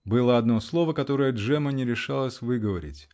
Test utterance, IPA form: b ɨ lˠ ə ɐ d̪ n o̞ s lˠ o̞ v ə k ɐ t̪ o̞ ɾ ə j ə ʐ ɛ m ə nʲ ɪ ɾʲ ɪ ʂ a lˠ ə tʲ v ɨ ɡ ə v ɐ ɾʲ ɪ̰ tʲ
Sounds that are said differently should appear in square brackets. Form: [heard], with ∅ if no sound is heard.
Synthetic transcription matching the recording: b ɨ lˠ ə ɐ d̪ n o̞ s lˠ o̞ v ə k ɐ t̪ o̞ ɾ ə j ə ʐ ɛ m ə nʲ ɪ ɾʲ ɪ ʂ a lˠ ə [sʲ] v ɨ ɡ ə v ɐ ɾʲ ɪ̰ tʲ